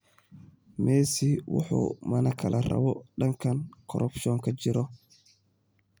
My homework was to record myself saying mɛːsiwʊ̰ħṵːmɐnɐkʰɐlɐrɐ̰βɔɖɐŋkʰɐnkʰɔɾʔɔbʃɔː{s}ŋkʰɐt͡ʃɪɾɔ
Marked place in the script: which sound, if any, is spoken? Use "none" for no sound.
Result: none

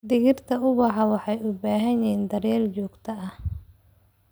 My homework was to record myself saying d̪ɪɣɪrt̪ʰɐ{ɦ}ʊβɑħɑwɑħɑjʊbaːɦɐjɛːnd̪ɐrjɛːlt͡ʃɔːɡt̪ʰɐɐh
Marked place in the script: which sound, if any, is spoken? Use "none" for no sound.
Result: none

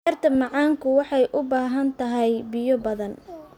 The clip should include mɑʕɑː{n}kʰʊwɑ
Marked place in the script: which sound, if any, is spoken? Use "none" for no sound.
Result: ŋ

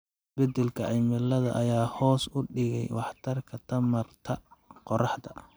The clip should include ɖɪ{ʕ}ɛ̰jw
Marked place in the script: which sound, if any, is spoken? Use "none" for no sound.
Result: ɣ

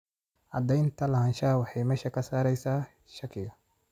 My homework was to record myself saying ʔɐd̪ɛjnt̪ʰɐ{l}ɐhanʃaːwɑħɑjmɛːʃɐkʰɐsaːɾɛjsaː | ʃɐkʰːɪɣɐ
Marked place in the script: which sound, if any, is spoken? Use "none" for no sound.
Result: l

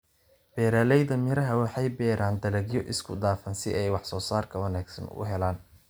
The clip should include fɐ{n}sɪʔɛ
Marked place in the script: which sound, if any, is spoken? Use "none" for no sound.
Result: n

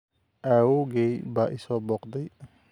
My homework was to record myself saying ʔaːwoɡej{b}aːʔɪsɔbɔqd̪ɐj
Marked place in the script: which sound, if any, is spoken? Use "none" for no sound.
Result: b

